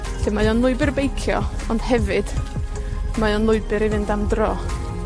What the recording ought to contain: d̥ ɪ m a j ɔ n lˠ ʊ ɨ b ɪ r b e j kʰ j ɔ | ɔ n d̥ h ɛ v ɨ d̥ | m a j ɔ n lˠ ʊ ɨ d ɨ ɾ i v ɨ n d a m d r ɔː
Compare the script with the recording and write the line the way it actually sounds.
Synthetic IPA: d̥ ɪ m a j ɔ n lˠ ʊ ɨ b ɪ r b e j kʰ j ɔ | ɔ n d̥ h ɛ v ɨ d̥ | m a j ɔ n lˠ ʊ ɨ b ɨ ɾ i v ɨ n d a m d r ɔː